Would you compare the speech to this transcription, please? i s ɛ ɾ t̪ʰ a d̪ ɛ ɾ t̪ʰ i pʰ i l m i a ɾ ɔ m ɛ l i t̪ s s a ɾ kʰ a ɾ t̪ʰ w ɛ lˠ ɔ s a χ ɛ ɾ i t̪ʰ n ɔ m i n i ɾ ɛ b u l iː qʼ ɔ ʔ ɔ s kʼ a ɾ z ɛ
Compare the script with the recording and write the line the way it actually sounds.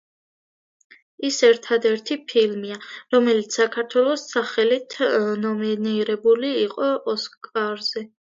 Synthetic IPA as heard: i s ɛ ɾ t̪ʰ a d̪ ɛ ɾ t̪ʰ i pʰ i l m i a ɾ ɔ m ɛ l i t̪ s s a kʰ a ɾ t̪ʰ w ɛ lˠ ɔ s a χ ɛ l i t̪ʰ n ɔ m i n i ɾ ɛ b u l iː qʼ ɔ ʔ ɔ s kʼ a ɾ z ɛ

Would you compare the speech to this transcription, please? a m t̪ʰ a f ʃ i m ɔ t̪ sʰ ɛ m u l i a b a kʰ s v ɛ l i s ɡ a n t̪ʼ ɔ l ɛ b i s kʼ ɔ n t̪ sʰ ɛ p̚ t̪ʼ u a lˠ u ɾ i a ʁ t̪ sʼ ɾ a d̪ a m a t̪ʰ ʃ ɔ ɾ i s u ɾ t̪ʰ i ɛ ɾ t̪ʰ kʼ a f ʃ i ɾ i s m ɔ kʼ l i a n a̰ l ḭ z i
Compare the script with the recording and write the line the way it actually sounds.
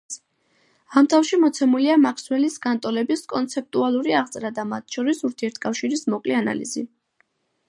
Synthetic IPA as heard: a m t̪ʰ a f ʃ i m ɔ t̪ sʰ ɛ m u l i a m a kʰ s w ɛ l i s ɡ a n t̪ʼ ɔ l ɛ b i s kʼ ɔ n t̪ sʰ ɛ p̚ t̪ʼ u a lˠ u ɾ i a ʁ t̪ sʼ ɾ a d̪ a m a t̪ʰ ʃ ɔ ɾ i s u ɾ t̪ʰ i ɛ ɾ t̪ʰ kʼ a f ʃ i ɾ i s m ɔ kʼ l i a n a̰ l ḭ z i

